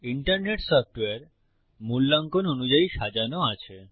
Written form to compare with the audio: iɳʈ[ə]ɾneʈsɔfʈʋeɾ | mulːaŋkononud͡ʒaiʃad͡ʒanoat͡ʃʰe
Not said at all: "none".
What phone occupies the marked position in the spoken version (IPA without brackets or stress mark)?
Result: ə